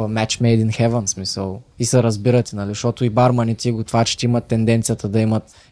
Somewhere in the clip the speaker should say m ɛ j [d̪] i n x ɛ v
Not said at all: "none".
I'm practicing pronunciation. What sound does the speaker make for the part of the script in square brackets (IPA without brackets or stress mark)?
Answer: d̪